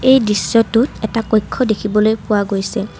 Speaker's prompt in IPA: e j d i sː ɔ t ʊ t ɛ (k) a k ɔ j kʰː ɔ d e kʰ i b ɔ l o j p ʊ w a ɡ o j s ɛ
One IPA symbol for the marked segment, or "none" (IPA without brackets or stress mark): t